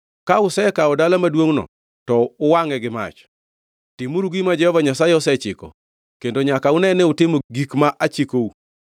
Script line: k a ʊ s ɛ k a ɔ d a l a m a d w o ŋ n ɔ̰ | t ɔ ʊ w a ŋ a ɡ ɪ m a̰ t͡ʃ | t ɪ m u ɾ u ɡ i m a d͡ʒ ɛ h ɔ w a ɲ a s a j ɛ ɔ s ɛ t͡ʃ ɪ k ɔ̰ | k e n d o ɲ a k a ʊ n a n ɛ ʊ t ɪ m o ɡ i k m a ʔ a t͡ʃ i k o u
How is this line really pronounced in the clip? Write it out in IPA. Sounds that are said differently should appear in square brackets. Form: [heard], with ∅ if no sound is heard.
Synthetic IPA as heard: k a ʊ s ɛ k a ɔ d a l a m a d w o ŋ n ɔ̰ | t ɔ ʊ w a ŋ [ɛ] ɡ ɪ m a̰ t͡ʃ | t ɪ m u ɾ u ɡ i m a d͡ʒ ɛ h ɔ [v] a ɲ a s a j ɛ ɔ s ɛ t͡ʃ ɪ k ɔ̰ | k e n d o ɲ a k a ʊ n [ɛ] n ɛ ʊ t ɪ m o ɡ i k m a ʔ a t͡ʃ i k o u